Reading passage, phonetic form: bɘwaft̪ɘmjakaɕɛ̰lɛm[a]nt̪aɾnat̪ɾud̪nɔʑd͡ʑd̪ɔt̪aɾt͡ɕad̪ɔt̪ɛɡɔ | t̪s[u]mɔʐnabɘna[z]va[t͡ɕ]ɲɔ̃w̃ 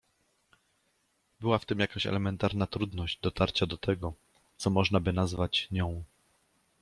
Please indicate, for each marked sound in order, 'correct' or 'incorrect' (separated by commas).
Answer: incorrect, incorrect, correct, correct